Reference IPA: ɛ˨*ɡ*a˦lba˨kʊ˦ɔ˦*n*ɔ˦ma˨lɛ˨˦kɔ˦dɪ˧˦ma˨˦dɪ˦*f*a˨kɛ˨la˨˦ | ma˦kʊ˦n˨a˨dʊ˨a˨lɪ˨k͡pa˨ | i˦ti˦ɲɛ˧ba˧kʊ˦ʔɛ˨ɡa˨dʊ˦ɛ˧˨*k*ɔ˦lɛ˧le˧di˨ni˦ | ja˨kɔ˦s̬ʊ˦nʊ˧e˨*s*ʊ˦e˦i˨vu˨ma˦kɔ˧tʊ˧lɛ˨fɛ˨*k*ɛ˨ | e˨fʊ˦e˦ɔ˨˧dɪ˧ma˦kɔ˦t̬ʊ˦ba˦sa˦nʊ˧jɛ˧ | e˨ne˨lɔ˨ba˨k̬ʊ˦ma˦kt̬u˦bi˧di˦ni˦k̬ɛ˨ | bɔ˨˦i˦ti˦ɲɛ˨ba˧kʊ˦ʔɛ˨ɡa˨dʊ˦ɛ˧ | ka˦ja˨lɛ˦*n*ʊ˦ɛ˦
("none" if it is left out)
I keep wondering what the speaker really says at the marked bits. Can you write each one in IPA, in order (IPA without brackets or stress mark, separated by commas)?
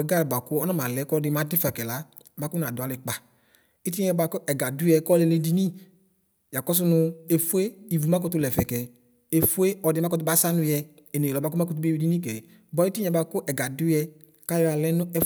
ɡ, n, f, k, f, k, n